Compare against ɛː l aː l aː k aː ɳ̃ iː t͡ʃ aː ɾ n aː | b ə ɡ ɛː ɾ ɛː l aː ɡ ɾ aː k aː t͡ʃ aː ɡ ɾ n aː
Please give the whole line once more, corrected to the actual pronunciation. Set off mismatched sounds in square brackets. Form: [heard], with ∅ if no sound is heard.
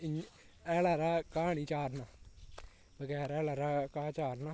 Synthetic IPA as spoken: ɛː l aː [ɾ] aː k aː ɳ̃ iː t͡ʃ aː ɾ n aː | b ə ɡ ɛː ɾ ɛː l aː [∅] ɾ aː k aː t͡ʃ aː [∅] ɾ n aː